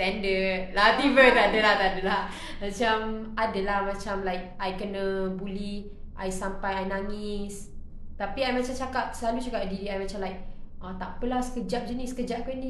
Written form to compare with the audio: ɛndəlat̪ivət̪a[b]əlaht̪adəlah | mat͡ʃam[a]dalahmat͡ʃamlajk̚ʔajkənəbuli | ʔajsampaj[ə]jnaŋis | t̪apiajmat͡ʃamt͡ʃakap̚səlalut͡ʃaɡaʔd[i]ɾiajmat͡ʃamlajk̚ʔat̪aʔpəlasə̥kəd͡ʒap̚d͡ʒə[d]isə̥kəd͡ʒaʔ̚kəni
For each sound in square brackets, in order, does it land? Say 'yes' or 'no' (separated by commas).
no, yes, no, yes, no